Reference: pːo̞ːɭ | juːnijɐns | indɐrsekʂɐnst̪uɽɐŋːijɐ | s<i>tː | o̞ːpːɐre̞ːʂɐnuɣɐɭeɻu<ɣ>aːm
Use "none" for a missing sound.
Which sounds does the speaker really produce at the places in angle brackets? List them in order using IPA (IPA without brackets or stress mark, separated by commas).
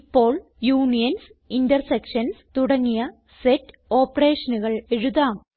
e, ð